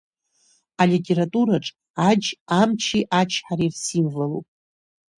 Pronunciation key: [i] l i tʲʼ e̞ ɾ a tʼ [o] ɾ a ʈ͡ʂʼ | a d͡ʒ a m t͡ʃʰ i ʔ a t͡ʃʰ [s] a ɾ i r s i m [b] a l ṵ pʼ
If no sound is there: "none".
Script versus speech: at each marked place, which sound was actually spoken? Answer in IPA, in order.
a, u, ħ, v

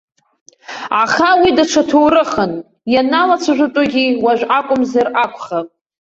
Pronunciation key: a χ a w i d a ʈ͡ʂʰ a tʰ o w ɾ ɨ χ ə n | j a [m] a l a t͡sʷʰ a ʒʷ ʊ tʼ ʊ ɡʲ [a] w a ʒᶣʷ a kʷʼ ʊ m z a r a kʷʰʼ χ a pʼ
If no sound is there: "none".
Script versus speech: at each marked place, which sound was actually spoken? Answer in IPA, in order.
n, i

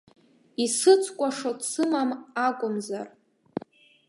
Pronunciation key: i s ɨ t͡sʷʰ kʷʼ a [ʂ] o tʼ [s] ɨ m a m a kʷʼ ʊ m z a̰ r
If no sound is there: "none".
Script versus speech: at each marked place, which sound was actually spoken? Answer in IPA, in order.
ʂ, s

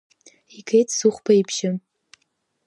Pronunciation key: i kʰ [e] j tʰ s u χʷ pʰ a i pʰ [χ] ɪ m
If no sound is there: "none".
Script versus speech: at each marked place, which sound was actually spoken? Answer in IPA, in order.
e, ʃ

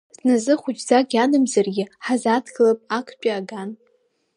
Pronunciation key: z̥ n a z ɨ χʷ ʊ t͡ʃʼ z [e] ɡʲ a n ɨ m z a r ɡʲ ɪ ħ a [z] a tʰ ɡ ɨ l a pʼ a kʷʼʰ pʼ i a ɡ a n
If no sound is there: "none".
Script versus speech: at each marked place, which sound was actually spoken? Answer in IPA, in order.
a, z

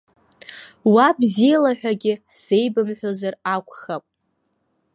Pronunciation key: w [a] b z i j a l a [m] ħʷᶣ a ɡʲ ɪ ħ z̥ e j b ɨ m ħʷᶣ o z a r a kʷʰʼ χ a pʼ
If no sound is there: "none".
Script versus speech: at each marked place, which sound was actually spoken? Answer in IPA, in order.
a, none

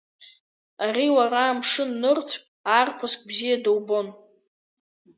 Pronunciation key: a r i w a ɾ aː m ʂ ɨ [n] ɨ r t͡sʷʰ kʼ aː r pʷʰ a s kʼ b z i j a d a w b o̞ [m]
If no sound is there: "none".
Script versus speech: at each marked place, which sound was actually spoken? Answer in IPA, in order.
nː, n

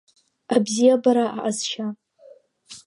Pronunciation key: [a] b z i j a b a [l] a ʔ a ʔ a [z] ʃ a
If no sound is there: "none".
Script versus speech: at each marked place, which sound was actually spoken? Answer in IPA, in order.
a, ɾ, z

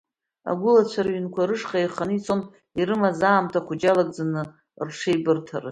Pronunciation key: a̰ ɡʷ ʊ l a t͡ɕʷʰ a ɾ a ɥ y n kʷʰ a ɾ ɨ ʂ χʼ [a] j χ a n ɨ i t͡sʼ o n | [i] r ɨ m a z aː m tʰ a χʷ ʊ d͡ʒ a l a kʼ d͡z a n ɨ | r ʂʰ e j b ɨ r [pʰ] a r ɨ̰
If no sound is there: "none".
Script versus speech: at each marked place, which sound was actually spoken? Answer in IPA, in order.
a, i, tʰ

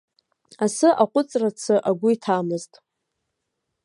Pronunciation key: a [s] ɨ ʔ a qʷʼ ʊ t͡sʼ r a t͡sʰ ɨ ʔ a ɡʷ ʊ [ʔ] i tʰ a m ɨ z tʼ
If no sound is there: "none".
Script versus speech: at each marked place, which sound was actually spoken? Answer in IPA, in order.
s, none

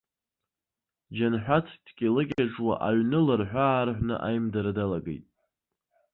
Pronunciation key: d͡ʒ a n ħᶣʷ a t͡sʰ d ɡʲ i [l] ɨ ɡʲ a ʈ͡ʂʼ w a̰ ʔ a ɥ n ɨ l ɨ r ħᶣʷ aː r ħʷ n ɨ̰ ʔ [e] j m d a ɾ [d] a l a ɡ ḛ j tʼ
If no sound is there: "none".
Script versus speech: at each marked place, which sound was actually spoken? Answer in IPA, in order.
l, a, d

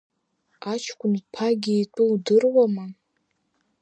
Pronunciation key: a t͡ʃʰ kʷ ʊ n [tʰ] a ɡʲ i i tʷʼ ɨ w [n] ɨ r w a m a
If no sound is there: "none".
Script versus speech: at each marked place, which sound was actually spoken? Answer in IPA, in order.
pʰ, d

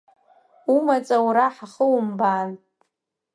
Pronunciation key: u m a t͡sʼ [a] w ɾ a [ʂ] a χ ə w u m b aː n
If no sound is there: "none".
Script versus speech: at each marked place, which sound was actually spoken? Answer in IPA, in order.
a, ħ

